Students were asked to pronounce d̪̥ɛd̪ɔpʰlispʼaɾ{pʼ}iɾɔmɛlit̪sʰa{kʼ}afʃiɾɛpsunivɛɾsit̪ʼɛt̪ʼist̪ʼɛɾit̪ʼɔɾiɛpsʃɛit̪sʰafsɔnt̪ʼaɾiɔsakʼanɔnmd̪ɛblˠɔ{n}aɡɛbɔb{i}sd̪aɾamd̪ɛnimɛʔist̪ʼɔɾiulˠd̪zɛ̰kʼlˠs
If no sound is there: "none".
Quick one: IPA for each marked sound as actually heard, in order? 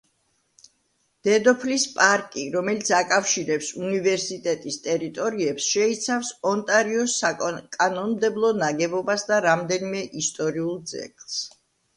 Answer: kʼ, kʼ, n, a

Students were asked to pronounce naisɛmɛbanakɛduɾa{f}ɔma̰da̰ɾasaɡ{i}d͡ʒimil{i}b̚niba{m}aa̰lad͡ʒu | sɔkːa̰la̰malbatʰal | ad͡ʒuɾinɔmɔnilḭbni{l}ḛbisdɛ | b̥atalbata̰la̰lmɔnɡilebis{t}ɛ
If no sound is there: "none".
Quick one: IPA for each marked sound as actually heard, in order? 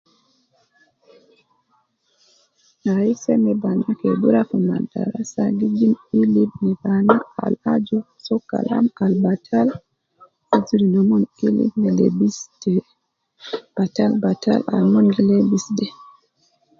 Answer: f, i, i, n, l, d

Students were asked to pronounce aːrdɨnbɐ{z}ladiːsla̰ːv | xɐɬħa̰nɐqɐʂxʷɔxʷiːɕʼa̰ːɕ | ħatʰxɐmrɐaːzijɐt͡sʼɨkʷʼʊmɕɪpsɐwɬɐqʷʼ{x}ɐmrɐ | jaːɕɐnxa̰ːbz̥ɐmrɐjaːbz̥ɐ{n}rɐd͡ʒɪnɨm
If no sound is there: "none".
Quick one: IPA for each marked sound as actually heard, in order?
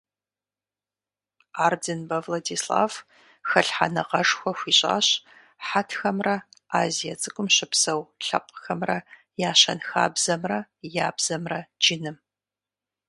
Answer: v, x, m

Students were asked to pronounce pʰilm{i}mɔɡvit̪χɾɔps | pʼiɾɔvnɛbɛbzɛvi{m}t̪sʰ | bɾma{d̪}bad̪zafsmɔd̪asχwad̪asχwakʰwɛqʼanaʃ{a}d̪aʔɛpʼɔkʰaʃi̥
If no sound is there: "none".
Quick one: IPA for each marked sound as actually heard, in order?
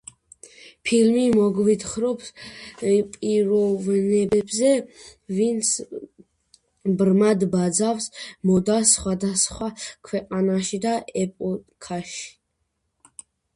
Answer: i, n, d̪, i

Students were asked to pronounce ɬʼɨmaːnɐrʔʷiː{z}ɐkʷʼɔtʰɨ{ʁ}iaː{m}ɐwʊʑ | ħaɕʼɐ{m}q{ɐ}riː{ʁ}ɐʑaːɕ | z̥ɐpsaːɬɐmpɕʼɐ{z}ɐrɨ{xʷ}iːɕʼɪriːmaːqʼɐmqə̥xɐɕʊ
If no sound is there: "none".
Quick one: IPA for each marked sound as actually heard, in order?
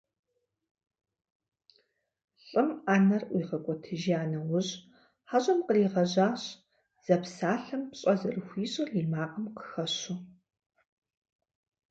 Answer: ʁ, ʒ, n, m, ə, ʁ, z, xʷ

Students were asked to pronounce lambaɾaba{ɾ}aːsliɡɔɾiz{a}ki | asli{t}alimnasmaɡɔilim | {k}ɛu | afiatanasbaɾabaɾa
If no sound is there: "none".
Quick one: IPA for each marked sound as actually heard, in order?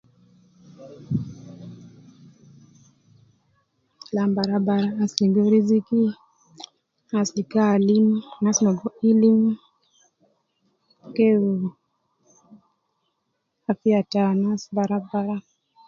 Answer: ɾ, i, k, k

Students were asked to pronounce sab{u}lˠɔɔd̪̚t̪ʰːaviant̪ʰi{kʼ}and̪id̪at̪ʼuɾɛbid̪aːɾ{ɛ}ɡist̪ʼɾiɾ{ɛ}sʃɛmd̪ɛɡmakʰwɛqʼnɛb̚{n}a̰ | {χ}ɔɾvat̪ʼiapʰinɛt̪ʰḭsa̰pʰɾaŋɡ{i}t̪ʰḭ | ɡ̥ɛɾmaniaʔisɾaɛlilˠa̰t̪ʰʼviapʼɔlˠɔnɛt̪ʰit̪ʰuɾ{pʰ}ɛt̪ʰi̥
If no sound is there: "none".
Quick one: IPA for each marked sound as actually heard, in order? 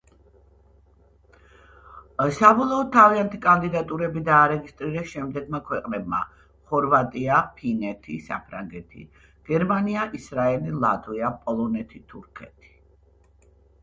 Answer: ɔ, kʼ, ɛ, ɛ, m, χ, ɛ, kʰ

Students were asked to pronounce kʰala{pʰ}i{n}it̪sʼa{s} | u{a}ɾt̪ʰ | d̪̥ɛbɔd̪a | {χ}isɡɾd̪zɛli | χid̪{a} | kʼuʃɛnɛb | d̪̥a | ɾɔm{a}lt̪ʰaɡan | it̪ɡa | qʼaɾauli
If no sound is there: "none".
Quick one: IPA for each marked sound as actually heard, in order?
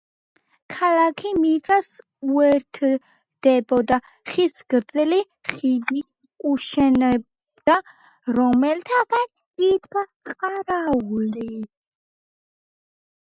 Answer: kʰ, m, s, ɛ, χ, i, ɛ

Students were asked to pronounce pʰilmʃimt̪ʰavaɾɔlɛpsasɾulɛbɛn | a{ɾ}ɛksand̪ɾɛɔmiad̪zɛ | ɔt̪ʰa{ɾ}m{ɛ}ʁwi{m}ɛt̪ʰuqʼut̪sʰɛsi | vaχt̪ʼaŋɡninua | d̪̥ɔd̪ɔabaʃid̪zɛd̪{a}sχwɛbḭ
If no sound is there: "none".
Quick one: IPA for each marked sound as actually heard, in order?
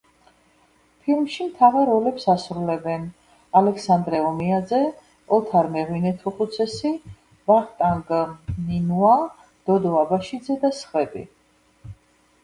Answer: l, ɾ, ɛ, n, a

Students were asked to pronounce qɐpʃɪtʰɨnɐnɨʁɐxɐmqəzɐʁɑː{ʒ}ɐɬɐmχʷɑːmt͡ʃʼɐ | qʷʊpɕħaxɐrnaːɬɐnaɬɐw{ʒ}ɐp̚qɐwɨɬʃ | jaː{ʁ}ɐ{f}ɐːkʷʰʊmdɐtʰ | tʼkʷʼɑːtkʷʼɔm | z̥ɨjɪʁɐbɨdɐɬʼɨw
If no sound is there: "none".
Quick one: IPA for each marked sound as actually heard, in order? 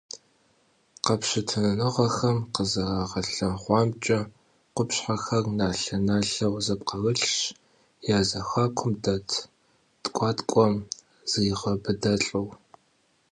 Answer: ʁ, z, z, x

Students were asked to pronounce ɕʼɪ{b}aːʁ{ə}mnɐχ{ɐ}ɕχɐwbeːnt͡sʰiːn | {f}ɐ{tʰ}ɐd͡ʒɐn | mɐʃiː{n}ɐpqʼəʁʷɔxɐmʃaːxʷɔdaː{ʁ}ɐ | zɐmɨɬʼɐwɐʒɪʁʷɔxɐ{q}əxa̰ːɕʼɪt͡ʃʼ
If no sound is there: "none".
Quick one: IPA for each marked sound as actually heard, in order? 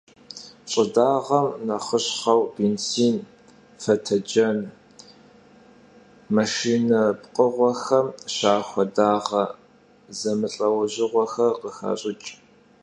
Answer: d, ɐ, ə, f, tʰ, n, ʁ, q

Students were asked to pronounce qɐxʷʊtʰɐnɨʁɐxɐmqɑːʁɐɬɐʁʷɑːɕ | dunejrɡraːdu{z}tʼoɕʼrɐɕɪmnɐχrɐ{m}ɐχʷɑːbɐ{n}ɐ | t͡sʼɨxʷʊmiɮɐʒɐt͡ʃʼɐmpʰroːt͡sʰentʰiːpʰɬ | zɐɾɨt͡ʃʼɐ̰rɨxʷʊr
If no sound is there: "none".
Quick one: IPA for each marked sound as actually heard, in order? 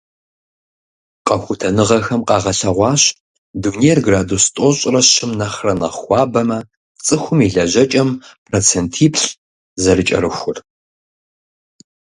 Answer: s, n, m

